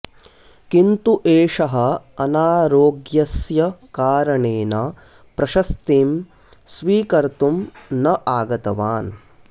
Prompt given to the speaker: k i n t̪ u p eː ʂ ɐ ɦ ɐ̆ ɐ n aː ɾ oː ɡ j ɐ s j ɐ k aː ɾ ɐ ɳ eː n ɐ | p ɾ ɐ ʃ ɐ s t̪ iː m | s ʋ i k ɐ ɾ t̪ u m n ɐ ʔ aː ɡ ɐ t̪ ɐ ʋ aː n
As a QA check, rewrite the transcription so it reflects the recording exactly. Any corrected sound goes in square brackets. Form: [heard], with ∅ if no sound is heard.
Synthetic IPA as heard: k i n t̪ u [ʔ] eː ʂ ɐ ɦ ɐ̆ ɐ n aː ɾ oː ɡ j ɐ s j ɐ k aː ɾ ɐ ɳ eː n ɐ | p ɾ ɐ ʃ ɐ s t̪ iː m | s ʋ [iː] k ɐ ɾ t̪ u m n ɐ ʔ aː ɡ ɐ t̪ ɐ ʋ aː n